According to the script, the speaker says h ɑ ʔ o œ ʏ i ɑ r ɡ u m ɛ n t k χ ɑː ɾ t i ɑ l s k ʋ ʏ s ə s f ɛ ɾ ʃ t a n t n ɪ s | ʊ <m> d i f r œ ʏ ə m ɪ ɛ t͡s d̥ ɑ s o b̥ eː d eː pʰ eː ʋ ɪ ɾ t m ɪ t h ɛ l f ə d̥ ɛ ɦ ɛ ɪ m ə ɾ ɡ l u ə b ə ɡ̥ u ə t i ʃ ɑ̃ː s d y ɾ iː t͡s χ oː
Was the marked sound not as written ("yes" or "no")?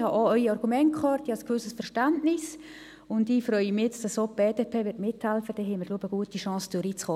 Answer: yes